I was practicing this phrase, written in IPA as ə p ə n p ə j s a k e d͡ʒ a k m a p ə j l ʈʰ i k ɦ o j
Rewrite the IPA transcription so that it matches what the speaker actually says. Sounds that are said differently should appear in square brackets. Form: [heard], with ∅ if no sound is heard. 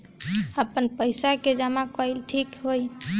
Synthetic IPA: ə p ə n p ə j s a k e d͡ʒ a [∅] m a [k] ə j l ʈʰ i k ɦ o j